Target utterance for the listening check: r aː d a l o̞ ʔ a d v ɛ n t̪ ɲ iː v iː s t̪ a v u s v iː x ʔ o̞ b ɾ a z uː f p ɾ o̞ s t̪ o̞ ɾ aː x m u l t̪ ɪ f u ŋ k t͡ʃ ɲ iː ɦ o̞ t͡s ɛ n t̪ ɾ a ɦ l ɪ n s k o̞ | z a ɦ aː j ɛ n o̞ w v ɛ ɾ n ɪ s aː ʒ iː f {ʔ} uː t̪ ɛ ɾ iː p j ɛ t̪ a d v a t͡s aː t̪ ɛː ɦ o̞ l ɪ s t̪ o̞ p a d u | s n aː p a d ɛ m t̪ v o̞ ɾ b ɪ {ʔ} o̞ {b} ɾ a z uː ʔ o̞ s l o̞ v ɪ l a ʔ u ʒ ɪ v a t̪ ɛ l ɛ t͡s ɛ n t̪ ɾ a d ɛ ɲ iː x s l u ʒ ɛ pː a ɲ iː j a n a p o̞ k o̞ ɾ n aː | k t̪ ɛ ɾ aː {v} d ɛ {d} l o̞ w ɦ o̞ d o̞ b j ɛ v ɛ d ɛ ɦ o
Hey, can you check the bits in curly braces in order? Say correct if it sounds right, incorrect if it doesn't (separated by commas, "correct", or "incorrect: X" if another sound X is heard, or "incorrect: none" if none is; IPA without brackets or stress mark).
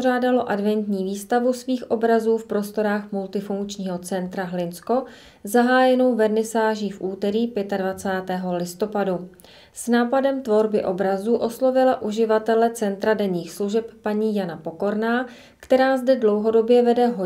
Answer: correct, correct, correct, incorrect: z, correct